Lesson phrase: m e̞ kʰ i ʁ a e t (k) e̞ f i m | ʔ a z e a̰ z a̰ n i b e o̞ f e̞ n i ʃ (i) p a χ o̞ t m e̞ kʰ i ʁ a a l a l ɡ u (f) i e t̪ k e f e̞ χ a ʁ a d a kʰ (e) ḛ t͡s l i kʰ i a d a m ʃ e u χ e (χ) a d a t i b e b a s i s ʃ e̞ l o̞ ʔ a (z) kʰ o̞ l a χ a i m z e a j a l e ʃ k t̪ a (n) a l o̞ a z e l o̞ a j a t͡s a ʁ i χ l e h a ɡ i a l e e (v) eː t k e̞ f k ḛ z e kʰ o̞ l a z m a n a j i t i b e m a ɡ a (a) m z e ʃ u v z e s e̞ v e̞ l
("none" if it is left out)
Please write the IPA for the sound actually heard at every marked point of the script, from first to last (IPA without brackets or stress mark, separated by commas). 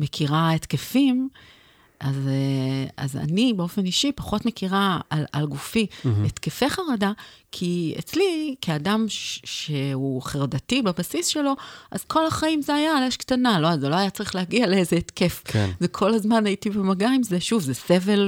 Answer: k, i, f, i, ʁ, z, n, z, i